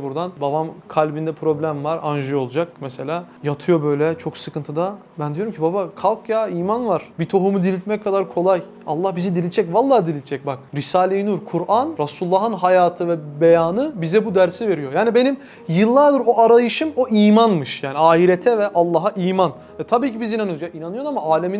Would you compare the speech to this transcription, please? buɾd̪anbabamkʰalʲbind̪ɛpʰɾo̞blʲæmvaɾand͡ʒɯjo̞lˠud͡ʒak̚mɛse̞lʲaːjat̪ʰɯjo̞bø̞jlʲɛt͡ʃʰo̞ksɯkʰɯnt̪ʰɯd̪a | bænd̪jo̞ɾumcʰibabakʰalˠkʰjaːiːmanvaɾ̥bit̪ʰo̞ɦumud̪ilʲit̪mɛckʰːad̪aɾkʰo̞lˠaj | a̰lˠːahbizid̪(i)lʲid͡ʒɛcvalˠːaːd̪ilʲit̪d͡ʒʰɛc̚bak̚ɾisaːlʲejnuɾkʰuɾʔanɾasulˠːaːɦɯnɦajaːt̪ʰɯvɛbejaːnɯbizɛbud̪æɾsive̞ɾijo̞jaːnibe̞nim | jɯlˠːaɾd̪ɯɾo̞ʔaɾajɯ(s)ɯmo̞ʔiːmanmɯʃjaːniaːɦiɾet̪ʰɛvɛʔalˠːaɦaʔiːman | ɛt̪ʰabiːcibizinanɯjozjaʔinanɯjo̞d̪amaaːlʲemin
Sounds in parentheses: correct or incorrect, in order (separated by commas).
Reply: correct, incorrect